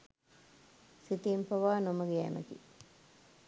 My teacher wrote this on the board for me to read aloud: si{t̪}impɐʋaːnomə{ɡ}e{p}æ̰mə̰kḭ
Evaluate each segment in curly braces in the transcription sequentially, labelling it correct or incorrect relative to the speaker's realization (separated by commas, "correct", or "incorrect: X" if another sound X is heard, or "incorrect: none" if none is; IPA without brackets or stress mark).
correct, correct, incorrect: none